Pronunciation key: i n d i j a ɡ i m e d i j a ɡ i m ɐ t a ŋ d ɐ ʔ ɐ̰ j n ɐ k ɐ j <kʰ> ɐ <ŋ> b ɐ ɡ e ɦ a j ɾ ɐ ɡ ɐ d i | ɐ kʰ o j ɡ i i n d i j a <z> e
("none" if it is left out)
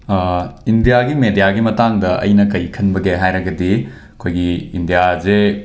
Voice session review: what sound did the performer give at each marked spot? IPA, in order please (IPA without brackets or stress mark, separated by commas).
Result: kʰ, n, z